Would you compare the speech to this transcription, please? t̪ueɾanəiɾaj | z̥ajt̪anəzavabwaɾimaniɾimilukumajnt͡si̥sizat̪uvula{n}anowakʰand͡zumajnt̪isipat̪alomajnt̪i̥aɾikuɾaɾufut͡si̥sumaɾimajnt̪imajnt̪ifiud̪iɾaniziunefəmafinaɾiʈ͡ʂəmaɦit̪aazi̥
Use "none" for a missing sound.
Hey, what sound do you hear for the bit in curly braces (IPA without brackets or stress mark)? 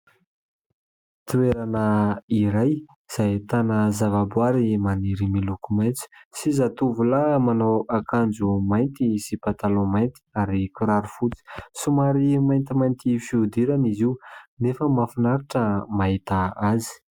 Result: m